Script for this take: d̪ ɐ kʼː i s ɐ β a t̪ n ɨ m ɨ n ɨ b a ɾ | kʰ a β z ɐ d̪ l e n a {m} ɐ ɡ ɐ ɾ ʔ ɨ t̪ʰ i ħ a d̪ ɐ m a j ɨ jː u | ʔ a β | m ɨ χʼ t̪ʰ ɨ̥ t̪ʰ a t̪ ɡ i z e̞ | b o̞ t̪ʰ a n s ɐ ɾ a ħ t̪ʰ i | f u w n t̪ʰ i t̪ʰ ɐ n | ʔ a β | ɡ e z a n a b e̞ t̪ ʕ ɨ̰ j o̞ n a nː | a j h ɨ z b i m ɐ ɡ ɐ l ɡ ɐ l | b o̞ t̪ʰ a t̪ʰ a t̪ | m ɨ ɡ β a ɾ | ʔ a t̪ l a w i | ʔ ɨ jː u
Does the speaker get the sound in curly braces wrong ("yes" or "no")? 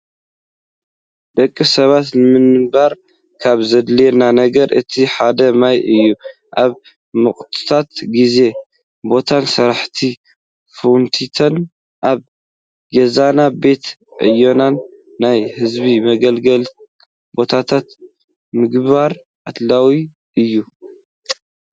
yes